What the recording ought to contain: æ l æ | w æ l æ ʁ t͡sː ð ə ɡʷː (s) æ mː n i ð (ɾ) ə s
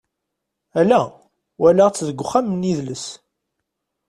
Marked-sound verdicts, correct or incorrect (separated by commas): incorrect, incorrect